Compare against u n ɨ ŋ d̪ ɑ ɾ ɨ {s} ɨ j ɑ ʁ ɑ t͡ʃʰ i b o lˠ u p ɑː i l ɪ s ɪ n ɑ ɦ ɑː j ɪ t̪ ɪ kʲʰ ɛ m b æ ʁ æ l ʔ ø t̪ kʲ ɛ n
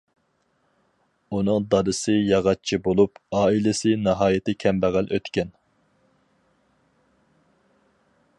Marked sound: correct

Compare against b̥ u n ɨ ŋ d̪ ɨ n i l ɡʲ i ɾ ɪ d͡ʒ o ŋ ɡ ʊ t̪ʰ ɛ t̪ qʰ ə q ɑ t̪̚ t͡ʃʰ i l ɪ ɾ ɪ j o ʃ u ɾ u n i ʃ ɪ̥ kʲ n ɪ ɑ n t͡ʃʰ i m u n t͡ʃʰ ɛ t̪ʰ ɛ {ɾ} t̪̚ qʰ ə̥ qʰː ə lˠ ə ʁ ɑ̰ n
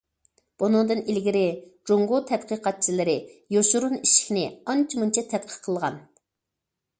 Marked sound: incorrect: none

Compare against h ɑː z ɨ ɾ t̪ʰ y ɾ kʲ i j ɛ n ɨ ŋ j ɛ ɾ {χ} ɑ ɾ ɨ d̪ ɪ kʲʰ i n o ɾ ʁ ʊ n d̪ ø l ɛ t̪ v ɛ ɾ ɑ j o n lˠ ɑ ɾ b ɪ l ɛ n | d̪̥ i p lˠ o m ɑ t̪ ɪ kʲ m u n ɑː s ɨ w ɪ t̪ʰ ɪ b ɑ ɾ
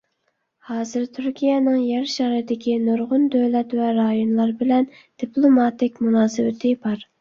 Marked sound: incorrect: ʃ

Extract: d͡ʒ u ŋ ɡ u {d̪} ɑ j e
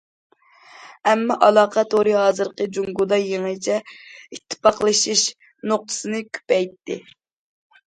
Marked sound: correct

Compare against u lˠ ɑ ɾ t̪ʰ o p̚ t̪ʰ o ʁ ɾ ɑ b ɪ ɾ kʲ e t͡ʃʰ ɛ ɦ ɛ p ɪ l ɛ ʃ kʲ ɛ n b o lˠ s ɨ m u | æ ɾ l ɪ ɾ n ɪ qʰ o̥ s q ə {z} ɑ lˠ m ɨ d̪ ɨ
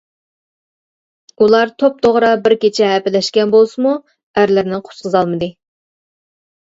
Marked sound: correct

